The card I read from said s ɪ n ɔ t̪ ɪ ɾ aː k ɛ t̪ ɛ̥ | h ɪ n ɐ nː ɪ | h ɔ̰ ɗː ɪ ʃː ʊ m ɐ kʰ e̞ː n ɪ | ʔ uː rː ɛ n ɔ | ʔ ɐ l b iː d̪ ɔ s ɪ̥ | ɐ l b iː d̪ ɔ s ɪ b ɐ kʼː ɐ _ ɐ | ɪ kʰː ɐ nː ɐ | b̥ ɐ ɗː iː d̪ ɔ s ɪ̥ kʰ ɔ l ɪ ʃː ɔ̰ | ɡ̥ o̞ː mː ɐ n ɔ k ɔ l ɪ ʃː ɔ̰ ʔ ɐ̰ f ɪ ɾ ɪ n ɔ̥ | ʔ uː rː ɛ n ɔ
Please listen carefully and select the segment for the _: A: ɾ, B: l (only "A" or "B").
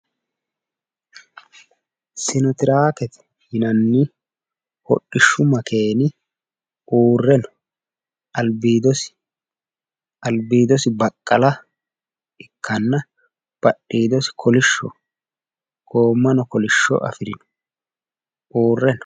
B